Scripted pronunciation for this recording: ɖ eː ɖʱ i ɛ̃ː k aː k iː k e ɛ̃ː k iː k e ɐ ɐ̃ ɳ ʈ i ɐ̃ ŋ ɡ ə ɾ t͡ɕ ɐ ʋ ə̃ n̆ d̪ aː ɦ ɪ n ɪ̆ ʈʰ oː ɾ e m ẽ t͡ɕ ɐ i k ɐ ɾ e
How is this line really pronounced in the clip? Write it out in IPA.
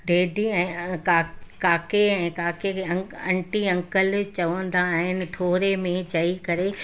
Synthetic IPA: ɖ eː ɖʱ i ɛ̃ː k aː k aː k e ɛ̃ː k aː k e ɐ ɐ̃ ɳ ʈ i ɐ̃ ŋ k ə l t͡ɕ ɐ ʋ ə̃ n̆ d̪ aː ɦ ɪ n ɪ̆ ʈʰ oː ɾ e m ẽ t͡ɕ ɐ i k ɐ ɾ e